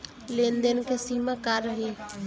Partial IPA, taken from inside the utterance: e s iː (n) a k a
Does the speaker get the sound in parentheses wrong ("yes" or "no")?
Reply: yes